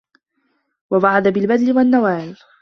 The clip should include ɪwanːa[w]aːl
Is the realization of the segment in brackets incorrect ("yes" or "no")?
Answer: no